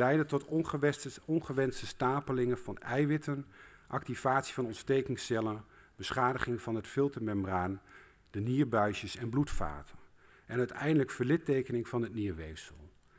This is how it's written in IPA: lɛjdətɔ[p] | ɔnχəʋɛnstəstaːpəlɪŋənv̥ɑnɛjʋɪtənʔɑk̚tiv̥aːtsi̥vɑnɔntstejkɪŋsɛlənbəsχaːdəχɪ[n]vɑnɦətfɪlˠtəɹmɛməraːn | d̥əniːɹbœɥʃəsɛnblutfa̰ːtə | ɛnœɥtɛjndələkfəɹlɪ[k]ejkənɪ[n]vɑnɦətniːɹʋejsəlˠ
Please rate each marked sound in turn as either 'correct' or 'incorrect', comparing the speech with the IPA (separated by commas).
incorrect, incorrect, incorrect, incorrect